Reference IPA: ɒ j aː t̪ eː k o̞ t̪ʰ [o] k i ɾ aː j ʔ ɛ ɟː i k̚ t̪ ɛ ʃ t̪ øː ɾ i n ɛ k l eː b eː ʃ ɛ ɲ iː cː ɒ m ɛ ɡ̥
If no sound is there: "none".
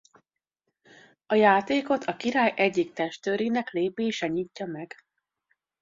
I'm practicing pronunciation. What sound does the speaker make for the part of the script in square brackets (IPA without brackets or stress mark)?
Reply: ɒ